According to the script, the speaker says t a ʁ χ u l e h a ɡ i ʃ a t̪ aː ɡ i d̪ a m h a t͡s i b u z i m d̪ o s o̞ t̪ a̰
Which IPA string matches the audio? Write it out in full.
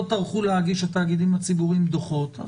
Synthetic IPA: t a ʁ χ u l e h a ɡ i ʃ a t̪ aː ɡ i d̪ i m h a t͡s i b u ʁ i m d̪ o χ o̞ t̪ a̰

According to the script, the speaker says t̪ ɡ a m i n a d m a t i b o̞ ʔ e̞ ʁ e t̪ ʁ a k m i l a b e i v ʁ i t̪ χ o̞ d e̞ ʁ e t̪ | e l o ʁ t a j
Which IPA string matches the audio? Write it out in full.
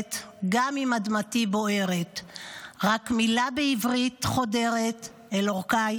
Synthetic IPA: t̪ ɡ a m i m a d m a t i b o̞ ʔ e̞ ʁ e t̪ ʁ a k m i l a b e i v ʁ i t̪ χ o̞ d e̞ ʁ e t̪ | e l o ʁ k a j

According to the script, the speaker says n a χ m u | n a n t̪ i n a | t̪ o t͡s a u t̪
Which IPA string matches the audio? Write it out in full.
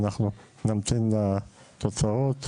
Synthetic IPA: n a χ n u | n a m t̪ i n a | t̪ o t͡s a o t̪

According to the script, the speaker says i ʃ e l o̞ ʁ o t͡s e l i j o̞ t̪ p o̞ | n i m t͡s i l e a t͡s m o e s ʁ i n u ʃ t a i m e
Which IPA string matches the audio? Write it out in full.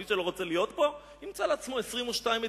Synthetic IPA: i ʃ e l o̞ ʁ o t͡s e l i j o̞ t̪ p o̞ | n i m t͡s a l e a t͡s m o e s ʁ i m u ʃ t a i m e

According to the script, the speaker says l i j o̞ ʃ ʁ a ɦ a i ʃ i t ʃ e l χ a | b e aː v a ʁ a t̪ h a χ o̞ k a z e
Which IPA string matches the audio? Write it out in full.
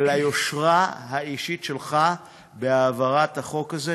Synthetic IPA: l a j o̞ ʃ ʁ a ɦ a i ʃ i t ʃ e l χ a | b e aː v a ʁ a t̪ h a χ o̞ k a z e

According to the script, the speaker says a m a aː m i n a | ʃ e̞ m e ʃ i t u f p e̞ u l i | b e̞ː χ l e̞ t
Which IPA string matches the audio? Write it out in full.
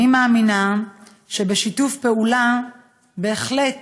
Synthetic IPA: i m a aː m i n a | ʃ e̞ b e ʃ i t u f p e̞ u l a | b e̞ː χ l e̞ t

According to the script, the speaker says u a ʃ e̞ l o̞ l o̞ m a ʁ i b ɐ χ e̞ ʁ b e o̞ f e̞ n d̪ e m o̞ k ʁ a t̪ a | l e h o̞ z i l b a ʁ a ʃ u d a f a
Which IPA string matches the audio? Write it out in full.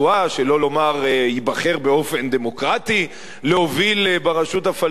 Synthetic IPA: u a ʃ e̞ l o̞ l o̞ m a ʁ i b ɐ χ e̞ ʁ b e o̞ f e̞ n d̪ e m o̞ k ʁ a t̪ i | l e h o̞ v i l b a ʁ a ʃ u t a f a

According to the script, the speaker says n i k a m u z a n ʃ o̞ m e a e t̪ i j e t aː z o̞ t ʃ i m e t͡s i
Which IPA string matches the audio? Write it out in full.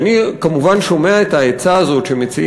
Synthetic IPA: n i k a m u v a n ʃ o̞ m e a e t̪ a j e t͡s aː z o̞ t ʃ e m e t͡s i

